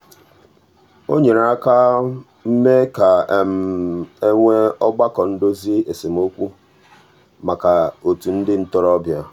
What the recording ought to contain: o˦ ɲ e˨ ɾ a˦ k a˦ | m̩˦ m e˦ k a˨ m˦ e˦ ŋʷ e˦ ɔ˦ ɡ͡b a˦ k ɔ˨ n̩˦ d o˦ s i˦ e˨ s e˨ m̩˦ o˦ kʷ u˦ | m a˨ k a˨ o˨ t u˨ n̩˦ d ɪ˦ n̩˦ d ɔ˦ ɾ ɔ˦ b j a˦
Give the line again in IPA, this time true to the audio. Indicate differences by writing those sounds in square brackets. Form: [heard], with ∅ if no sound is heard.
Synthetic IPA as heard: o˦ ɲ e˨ ɾ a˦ k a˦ | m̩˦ m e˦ k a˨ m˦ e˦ ŋʷ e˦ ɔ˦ ɡ͡b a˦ k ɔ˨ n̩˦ d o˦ [z] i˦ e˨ s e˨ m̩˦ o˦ kʷ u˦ | m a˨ k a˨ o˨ t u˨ n̩˦ d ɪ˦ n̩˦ [t] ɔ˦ ɾ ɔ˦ b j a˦